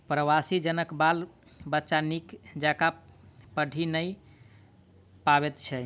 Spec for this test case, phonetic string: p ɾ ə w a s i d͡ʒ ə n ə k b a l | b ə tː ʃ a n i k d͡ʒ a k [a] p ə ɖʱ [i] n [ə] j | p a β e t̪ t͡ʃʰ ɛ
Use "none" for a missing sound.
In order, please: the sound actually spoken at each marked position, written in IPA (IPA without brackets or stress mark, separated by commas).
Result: a, i, ə